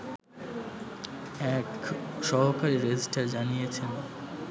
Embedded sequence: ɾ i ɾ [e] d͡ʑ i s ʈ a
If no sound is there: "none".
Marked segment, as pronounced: e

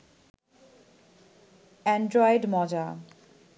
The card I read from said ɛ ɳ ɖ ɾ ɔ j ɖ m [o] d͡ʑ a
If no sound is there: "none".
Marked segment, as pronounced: ɔ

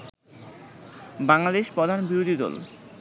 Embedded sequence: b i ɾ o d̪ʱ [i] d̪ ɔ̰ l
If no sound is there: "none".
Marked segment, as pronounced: i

